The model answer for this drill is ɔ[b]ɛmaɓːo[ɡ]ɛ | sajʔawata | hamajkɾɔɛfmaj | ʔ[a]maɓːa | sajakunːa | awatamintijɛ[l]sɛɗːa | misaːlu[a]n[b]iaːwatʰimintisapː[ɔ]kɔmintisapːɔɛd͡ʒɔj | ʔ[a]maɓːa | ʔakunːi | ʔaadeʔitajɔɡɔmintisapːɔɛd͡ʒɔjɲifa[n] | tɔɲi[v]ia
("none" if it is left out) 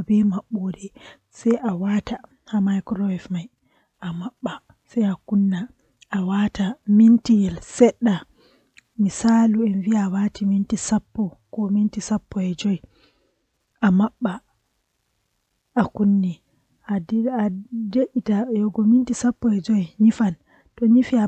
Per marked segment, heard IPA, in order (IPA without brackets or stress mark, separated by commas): b, d, a, l, ɛ, v, ɔ, a, n, f